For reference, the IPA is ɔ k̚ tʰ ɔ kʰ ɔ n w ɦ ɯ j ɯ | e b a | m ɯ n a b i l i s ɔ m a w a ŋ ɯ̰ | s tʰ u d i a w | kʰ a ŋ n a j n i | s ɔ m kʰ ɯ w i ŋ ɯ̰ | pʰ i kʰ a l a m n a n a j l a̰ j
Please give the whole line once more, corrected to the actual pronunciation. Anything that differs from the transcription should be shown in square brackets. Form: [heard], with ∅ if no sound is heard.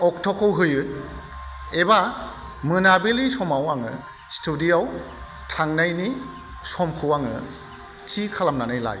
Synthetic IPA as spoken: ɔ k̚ tʰ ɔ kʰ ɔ [∅] w ɦ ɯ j ɯ | e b a | m ɯ n a b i l i s ɔ m a w a ŋ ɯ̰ | s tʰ u d i a w | [tʰ] a ŋ n a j n i | s ɔ m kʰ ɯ w [a] ŋ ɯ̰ | [tʰ] i kʰ a l a m n a n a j l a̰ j